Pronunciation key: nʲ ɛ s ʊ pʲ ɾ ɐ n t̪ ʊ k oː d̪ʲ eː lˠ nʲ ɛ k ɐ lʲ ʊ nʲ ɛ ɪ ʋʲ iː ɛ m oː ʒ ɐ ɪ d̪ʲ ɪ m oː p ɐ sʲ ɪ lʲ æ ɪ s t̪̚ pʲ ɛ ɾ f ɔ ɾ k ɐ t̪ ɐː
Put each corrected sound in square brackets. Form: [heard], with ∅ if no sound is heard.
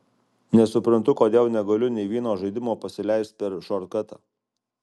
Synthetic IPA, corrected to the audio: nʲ ɛ s ʊ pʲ ɾ ɐ n t̪ ʊ k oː d̪ʲ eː lˠ nʲ ɛ [ɡ] ɐ lʲ ʊ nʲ ɛ ɪ ʋʲ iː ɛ [n] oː ʒ ɐ ɪ d̪ʲ ɪ m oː p ɐ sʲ ɪ lʲ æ ɪ s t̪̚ pʲ ɛ ɾ [ʃ] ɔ ɾ k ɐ t̪ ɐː